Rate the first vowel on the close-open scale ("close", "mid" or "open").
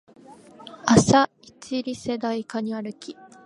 open